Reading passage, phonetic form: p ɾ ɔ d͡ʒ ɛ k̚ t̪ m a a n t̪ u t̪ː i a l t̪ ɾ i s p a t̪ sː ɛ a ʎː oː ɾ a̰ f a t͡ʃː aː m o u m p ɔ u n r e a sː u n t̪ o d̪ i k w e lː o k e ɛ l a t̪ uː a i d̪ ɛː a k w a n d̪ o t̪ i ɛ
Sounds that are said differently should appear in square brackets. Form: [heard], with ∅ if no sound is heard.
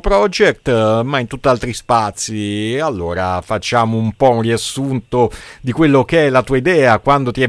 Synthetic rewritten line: p ɾ ɔ d͡ʒ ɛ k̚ t̪ m a [i] n t̪ u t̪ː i a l t̪ ɾ i s p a t̪ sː [i] a [lː] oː ɾ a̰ f a t͡ʃː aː m o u m p ɔ u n r [i] a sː u n t̪ o d̪ i k w e lː o k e ɛ l a t̪ uː a i d̪ ɛː a k w a n d̪ o t̪ i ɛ